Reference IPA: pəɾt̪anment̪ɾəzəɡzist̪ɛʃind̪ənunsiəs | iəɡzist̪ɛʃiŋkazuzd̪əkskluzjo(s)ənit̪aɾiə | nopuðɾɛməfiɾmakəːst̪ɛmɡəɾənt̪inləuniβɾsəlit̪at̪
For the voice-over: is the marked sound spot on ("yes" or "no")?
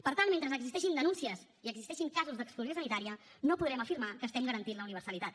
yes